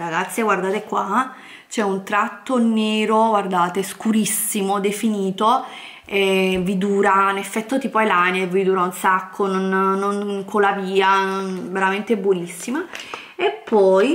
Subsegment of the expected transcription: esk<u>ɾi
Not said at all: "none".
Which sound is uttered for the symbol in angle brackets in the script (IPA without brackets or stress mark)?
u